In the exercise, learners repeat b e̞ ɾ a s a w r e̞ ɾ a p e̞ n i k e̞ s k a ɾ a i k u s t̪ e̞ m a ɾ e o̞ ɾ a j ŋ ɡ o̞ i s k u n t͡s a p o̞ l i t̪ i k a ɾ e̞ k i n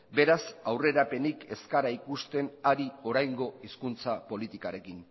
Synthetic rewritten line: b e̞ ɾ a s a w r e̞ ɾ a p e̞ n i k e̞ s k a ɾ a i k u s t̪ e̞ n a ɾ i o̞ ɾ a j ŋ ɡ o̞ i s k u n t͡s a p o̞ l i t̪ i k a ɾ e̞ k i n